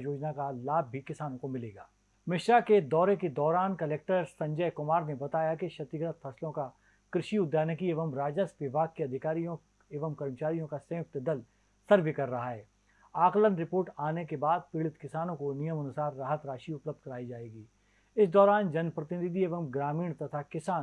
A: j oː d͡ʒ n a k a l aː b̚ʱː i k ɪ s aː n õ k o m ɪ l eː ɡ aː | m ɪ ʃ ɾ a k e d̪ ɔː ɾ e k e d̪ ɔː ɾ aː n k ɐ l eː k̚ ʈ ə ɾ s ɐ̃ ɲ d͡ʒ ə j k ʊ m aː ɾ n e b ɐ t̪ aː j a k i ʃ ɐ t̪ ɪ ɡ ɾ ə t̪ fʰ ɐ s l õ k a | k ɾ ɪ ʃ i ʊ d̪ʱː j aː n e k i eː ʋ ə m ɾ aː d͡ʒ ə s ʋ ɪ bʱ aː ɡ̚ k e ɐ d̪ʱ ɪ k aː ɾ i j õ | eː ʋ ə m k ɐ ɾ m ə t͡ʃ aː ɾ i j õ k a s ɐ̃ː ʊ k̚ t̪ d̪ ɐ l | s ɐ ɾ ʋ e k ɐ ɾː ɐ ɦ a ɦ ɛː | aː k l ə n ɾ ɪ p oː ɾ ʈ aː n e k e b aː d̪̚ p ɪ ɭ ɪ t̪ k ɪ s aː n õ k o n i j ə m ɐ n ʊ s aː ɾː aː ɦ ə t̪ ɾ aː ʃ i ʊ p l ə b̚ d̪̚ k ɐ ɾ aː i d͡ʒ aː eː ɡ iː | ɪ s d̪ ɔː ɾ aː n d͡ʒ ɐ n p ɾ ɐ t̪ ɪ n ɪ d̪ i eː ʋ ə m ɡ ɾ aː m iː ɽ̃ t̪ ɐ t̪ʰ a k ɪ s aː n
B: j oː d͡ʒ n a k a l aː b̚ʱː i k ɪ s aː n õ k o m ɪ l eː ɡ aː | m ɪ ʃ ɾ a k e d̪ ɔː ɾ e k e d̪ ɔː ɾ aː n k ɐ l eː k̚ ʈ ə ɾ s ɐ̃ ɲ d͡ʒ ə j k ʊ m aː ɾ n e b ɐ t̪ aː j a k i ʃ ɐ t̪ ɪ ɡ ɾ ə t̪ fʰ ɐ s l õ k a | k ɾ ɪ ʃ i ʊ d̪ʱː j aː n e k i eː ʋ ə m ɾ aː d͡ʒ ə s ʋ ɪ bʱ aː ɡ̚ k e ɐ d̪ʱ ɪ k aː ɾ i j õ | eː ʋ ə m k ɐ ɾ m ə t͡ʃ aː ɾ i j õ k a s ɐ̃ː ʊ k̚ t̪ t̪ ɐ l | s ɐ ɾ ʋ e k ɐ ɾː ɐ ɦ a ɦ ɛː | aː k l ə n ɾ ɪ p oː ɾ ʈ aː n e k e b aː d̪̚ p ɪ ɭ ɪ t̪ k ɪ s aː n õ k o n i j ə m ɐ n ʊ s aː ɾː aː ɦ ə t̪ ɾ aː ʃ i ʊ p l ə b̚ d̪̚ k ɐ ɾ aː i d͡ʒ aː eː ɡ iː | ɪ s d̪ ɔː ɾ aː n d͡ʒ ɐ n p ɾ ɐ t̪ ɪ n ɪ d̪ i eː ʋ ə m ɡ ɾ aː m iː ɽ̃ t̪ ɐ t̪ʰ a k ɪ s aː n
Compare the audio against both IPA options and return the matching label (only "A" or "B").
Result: A